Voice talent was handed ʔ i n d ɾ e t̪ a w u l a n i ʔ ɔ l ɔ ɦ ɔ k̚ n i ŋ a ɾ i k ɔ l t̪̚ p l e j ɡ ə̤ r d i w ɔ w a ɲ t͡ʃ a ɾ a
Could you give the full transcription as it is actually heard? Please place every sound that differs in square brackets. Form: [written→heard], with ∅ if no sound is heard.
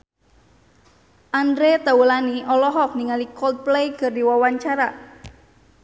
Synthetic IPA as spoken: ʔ [i→a] n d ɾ e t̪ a w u l a n i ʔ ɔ l ɔ ɦ ɔ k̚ n i ŋ a [ɾ→l] i k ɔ l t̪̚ p l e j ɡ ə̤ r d i w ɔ w a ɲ t͡ʃ a ɾ a